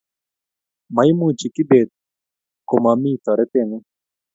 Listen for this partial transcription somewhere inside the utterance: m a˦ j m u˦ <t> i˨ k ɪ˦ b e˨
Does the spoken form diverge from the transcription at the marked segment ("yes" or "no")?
yes